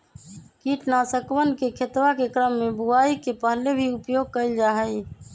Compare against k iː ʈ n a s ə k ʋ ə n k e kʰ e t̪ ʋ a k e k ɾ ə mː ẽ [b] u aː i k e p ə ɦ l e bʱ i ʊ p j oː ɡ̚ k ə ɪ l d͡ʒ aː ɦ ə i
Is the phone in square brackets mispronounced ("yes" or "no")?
no